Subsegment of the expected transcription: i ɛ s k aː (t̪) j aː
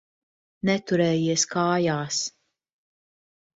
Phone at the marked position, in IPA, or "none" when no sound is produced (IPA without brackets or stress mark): none